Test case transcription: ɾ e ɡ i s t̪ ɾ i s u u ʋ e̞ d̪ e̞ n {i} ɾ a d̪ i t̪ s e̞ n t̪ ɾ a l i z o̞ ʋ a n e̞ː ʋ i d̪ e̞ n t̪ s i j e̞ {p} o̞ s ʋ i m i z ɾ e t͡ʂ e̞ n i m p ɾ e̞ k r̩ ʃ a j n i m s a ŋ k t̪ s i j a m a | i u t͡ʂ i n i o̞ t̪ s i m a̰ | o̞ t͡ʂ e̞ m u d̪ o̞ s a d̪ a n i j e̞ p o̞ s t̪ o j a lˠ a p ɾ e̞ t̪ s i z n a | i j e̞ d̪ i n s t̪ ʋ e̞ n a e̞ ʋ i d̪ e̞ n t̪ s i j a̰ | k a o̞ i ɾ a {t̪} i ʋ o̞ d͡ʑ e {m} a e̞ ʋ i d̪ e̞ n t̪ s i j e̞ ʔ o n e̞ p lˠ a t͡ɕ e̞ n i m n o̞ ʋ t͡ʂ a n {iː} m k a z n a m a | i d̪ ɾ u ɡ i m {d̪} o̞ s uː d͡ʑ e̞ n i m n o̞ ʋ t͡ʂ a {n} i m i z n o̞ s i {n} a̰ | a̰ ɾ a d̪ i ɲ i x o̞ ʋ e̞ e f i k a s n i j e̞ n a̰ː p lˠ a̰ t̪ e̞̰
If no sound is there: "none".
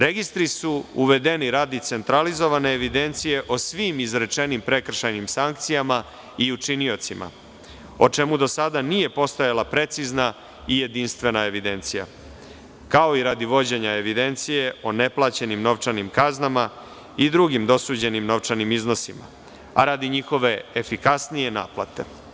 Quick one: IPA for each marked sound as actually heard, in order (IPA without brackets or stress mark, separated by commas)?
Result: i, ʔ, d̪, ɲ, i, d̪, n, m